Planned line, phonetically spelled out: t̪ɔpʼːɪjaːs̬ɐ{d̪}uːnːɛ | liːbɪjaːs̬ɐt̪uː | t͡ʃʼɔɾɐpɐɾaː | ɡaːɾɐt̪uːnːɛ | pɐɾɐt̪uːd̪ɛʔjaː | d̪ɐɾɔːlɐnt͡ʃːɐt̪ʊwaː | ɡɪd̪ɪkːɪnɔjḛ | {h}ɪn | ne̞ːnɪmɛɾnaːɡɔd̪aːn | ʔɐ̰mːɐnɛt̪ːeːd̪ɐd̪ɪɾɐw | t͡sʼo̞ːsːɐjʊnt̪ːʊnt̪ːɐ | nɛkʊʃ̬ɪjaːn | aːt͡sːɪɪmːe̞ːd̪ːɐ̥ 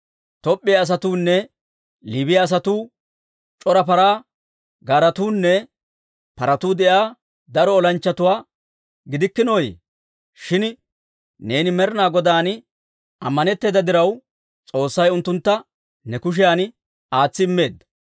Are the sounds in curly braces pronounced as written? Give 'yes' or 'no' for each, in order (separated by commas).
no, no